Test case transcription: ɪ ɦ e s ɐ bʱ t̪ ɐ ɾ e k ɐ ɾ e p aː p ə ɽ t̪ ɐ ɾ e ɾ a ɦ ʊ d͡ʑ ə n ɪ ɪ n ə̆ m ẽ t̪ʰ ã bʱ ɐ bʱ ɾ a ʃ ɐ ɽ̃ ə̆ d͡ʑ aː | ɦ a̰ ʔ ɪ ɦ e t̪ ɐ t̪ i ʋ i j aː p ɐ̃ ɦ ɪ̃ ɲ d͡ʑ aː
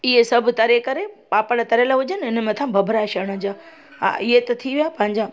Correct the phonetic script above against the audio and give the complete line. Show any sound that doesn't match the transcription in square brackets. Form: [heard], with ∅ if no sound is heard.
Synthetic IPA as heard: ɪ ɦ e s ɐ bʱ t̪ ɐ ɾ e k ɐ ɾ e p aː p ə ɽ t̪ ɐ ɾ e [l] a ɦ ʊ d͡ʑ ə n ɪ ɪ n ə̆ m ẽ t̪ʰ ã bʱ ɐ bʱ ɾ a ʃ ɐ ɽ̃ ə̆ d͡ʑ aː | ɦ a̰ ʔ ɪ ɦ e t̪ ɐ [t̪ʰ] i ʋ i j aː p ɐ̃ ɦ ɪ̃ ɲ d͡ʑ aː